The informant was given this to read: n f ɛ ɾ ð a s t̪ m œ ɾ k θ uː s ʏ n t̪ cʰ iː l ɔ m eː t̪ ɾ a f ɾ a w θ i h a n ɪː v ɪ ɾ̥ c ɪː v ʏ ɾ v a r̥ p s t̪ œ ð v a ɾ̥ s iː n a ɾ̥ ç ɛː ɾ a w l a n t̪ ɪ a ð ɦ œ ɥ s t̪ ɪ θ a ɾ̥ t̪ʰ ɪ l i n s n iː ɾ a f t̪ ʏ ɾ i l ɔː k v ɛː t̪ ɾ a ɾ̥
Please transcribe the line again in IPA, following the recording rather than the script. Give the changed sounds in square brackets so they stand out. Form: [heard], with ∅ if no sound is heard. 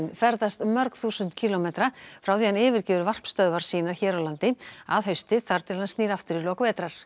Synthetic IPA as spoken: n f ɛ ɾ ð a s t̪ m œ ɾ k θ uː s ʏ n t̪ cʰ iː l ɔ m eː t̪ ɾ a f ɾ a w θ i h a n ɪː v ɪ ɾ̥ c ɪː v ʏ ɾ v a r̥ p s t̪ œ ð v a ɾ̥ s iː n a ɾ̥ ç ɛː ɾ a w l a n t̪ ɪ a ð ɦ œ ɥ s t̪ ɪ θ a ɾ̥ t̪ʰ ɪ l [a] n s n iː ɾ a f t̪ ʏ ɾ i l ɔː k v ɛː t̪ ɾ a ɾ̥